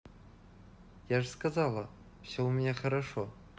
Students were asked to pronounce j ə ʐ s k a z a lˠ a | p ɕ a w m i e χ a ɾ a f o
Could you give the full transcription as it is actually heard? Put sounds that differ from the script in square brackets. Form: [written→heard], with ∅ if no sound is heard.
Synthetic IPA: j [ə→a] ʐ s k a z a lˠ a | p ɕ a w m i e χ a ɾ a [f→ʂ] o